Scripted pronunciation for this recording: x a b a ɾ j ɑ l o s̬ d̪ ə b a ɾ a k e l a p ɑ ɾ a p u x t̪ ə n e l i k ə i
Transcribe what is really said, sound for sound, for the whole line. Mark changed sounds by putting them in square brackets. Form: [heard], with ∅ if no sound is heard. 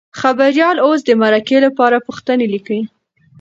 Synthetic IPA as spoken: x a b a ɾ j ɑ l o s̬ d̪ ə [m] a ɾ a k e l a p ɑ ɾ a p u x t̪ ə n e l i k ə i